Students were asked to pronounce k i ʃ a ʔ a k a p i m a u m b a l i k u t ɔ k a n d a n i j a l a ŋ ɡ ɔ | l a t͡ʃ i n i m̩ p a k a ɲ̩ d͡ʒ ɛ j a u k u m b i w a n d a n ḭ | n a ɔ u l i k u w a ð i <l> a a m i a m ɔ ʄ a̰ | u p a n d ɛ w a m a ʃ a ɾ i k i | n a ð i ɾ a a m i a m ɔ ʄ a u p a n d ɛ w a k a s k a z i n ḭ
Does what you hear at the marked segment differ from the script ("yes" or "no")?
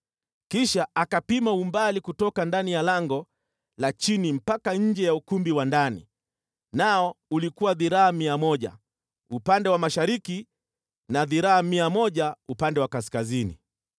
yes